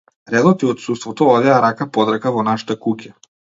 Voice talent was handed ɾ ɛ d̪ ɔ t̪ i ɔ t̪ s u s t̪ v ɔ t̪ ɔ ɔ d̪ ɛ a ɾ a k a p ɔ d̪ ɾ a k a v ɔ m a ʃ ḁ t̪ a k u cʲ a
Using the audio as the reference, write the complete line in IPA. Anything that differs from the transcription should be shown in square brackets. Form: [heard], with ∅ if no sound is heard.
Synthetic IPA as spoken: ɾ ɛ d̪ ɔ t̪ i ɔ t̪ s u s t̪ v ɔ t̪ ɔ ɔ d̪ ɛ a ɾ a k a p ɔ d̪ ɾ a k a v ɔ [n] a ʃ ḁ t̪ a k u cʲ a